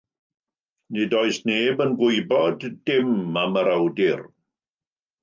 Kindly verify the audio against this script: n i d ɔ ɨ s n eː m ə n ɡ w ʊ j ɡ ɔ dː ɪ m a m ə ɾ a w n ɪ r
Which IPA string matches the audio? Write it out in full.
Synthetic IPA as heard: n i d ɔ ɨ s n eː b ə n ɡ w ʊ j b ɔ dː ɪ m a m ə ɾ a w d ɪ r